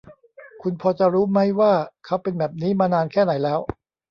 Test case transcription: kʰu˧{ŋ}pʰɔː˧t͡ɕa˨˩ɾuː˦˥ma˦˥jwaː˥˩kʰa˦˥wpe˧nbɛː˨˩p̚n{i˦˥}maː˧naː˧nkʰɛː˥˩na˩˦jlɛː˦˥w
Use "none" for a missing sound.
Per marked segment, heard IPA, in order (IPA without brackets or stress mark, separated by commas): n, iː˦˥